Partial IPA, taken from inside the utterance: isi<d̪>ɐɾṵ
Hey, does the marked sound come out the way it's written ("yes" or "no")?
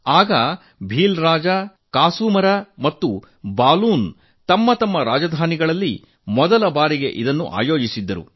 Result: no